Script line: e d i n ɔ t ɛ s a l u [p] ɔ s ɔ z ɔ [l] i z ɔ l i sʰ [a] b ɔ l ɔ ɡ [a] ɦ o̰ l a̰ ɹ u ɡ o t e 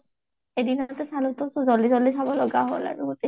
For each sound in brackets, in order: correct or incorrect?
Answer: incorrect, correct, correct, correct

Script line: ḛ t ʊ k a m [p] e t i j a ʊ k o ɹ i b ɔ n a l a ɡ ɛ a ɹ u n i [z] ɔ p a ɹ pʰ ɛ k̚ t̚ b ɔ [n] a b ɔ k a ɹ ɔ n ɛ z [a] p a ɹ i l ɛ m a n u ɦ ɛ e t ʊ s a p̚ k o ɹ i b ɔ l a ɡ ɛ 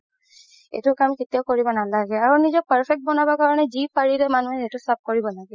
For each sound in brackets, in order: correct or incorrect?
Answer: incorrect, correct, correct, incorrect

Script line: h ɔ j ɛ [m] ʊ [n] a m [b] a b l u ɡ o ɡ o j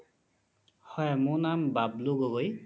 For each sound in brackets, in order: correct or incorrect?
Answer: correct, correct, correct

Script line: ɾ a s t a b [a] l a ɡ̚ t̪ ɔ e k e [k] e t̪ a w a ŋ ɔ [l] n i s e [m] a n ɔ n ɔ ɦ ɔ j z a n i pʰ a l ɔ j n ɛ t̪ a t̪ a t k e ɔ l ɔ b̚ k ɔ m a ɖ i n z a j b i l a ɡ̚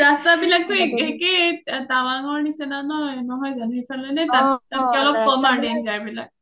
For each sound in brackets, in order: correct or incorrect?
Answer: incorrect, correct, incorrect, incorrect

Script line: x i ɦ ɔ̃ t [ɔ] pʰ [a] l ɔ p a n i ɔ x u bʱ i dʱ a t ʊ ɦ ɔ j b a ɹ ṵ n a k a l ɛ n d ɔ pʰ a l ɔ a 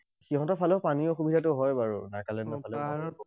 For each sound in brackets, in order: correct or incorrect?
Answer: correct, correct

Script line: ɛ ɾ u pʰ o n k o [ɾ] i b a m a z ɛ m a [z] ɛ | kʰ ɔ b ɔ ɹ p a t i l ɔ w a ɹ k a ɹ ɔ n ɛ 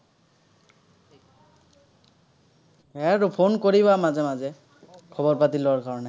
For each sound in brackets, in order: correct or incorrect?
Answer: incorrect, correct

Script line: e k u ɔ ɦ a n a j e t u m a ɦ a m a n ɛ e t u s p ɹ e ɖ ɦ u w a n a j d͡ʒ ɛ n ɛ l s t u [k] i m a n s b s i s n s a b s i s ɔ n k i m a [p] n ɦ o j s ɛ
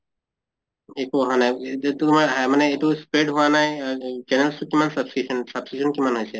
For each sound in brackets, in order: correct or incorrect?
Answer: correct, incorrect

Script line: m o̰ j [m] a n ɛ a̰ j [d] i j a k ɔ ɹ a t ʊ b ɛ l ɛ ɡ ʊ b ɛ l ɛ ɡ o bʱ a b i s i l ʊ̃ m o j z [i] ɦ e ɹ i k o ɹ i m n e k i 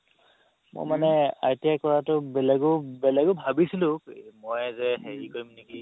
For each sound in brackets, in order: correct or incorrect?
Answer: correct, incorrect, incorrect

